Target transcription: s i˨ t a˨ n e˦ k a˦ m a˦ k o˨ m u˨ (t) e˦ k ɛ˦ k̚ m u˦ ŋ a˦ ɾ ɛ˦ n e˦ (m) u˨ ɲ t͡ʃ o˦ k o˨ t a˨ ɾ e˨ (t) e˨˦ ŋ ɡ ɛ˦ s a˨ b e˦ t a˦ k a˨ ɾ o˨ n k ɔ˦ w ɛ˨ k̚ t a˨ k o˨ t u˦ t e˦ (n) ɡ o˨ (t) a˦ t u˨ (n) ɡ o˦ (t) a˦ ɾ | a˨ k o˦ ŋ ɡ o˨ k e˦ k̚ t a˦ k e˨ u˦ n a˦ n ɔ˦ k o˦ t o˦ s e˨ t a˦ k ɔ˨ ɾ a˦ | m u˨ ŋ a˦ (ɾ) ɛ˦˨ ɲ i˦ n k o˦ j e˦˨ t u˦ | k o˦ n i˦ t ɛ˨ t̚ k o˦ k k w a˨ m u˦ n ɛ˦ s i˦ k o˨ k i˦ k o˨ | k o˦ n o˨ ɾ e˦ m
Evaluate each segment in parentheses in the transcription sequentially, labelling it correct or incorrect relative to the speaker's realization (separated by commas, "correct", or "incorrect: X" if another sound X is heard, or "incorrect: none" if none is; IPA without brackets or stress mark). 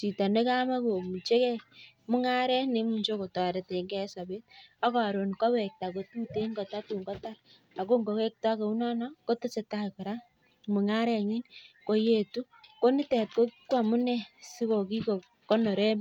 incorrect: t͡ʃ, correct, correct, incorrect: ŋ, correct, incorrect: ŋ, correct, correct